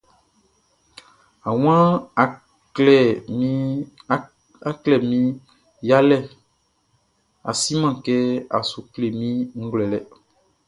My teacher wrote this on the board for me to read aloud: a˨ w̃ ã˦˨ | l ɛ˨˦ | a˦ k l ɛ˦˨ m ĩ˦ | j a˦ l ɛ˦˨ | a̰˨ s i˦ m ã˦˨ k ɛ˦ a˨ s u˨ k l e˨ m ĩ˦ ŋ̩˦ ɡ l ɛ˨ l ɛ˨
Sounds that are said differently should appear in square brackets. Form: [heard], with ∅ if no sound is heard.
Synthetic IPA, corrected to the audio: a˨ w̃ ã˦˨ | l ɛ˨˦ | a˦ k l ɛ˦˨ m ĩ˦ | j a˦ l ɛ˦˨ | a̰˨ s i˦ m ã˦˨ k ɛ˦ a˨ s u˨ k l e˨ m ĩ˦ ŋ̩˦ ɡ l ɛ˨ l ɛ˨

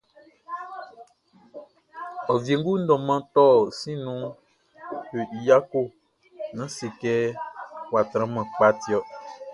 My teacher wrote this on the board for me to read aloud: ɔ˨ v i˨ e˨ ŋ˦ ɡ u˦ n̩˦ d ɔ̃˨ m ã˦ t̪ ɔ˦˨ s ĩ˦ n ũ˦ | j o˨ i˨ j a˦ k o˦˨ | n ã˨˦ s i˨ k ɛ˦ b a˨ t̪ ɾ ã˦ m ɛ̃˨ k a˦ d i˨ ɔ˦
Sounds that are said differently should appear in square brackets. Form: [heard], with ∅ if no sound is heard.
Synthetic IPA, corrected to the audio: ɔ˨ v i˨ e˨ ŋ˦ ɡ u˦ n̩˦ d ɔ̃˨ m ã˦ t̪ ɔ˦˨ s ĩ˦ n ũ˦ | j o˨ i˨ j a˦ k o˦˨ | n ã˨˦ s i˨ k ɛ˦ [w] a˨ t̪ ɾ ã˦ m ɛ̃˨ [k͡p] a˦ [t] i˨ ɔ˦

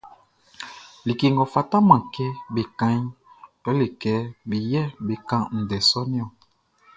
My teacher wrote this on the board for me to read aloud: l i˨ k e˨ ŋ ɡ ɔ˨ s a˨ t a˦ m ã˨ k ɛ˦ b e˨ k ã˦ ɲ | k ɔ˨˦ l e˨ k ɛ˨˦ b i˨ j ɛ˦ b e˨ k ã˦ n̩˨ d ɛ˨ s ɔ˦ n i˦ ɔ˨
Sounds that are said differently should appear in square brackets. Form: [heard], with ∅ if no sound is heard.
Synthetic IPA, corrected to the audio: l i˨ k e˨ ŋ ɡ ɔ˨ [f] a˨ t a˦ m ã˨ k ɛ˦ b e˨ k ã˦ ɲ | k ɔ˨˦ l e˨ k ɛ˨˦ b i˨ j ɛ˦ b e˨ k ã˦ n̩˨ d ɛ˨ s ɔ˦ n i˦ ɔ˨

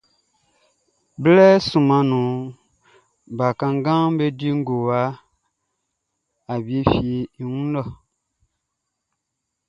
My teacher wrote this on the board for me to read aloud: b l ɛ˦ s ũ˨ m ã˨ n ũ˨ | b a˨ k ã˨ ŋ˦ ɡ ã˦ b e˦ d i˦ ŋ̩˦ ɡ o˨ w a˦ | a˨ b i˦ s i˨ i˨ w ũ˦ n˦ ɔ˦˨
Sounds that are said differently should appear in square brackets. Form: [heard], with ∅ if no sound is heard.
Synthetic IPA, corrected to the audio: b l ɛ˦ s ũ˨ m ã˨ n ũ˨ | b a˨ k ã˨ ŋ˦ ɡ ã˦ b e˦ d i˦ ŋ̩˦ ɡ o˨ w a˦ | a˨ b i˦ [f] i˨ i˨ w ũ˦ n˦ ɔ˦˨

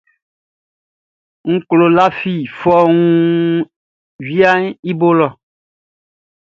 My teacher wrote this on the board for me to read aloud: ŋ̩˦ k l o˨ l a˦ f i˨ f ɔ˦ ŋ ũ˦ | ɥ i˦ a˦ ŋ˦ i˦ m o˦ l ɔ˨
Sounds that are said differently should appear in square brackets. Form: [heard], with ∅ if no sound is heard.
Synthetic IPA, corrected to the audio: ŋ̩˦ k l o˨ l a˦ f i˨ f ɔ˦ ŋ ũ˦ | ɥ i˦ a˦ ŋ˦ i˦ [b] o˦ l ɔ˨

